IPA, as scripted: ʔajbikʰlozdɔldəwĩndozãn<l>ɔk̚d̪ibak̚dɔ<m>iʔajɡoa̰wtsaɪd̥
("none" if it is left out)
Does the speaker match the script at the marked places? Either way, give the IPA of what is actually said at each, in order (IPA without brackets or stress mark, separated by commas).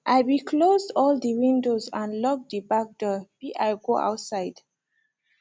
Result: l, b